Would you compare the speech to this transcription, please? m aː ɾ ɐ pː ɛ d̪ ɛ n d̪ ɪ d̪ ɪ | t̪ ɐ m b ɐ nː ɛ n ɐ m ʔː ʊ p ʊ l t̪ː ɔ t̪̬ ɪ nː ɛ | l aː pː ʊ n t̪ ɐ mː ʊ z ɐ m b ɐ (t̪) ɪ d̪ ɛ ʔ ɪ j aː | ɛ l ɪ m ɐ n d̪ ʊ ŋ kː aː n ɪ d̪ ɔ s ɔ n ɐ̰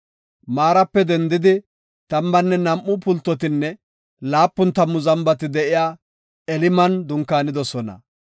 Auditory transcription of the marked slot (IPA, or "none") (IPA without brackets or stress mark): t̪